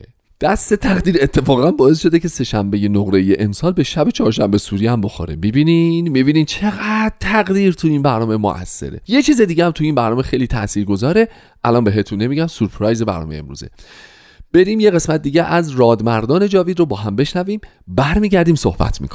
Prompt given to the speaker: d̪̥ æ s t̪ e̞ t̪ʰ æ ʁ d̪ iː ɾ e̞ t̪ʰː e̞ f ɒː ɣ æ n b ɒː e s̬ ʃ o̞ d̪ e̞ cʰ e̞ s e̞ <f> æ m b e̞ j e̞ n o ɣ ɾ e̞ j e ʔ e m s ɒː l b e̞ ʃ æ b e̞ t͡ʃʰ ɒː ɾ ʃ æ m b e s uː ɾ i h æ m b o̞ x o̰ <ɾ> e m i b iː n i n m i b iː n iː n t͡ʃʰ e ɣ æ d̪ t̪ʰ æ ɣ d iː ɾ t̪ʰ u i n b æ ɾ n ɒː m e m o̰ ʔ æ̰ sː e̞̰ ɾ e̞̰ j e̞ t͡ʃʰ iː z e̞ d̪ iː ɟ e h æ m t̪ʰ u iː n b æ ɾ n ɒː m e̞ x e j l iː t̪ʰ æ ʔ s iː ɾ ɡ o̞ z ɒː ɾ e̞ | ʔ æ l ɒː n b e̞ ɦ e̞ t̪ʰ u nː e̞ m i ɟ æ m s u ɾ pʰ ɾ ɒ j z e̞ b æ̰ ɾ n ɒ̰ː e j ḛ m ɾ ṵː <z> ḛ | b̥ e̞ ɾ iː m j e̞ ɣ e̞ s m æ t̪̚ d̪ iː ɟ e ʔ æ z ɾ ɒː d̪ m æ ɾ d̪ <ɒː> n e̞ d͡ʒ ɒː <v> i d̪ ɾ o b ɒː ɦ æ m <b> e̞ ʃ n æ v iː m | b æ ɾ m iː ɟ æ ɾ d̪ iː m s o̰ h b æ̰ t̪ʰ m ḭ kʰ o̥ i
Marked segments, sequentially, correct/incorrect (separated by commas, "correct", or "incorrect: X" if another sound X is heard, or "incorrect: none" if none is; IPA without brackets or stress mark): incorrect: ʃ, correct, correct, correct, correct, correct